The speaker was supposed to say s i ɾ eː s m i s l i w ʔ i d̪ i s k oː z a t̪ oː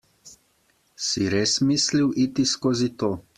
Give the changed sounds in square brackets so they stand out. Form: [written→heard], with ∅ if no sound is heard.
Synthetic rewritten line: s i ɾ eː s m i s l i w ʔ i [d̪→t̪] i s k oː z [a→i] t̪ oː